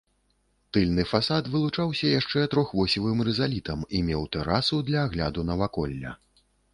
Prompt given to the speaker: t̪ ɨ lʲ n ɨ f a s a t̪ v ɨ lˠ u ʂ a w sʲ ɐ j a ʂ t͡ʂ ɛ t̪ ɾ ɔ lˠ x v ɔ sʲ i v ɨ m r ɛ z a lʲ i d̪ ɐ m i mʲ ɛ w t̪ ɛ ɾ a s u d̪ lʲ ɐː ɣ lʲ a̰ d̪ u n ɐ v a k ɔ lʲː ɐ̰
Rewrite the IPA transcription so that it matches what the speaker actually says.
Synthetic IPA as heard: t̪ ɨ lʲ n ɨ f a s a t̪ v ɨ lˠ u t͡ʂ a w sʲ ɐ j a ʂ t͡ʂ ɛ t̪ ɾ ɔ x v ɔ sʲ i v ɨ m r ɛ z a lʲ i t̪ ɐ m i mʲ ɛ w t̪ ɛ ɾ a s u d̪ lʲ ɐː ɣ lʲ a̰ d̪ u n ɐ v a k ɔ lʲː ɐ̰